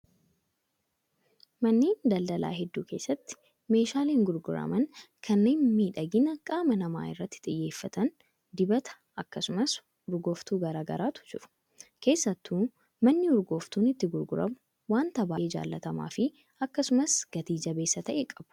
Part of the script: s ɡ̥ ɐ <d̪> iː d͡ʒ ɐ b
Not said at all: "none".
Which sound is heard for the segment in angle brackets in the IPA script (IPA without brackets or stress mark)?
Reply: t̪